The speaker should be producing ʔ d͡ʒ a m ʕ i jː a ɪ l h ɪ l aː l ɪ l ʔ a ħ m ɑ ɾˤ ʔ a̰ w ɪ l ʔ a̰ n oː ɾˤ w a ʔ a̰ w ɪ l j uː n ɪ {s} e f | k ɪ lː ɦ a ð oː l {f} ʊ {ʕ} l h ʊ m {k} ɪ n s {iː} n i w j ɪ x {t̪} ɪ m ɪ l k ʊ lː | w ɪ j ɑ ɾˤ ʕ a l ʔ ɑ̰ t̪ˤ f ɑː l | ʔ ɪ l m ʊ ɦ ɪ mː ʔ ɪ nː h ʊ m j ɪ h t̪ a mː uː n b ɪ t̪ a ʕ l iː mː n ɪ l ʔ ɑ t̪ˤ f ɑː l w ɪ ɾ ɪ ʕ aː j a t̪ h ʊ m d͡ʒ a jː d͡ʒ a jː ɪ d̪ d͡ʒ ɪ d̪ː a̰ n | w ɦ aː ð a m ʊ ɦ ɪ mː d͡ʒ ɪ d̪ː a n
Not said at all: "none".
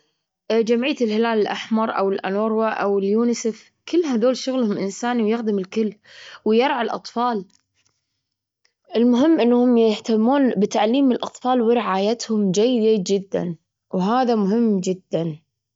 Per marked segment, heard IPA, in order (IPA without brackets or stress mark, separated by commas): s, ʃ, ɣ, ʔ, aː, d̪